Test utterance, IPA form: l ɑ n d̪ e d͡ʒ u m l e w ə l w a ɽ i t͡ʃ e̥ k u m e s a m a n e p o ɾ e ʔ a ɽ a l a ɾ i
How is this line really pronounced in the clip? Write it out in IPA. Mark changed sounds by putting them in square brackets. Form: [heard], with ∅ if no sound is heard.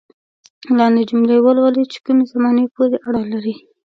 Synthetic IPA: l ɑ n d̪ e d͡ʒ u m l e w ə l w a [l] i t͡ʃ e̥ k u m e [z] a m [ɑ] n e p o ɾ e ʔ a ɽ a l a ɾ i